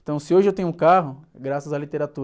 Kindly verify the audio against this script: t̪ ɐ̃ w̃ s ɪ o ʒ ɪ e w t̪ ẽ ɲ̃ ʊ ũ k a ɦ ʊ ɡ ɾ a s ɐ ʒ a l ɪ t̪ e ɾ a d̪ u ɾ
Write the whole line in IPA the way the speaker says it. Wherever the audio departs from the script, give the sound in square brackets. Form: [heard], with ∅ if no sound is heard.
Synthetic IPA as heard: t̪ ɐ̃ w̃ s ɪ o ʒ ɪ e w t̪ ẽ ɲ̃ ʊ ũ k a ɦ ʊ ɡ ɾ a s ɐ [z] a l [i] t̪ e ɾ a [t̪] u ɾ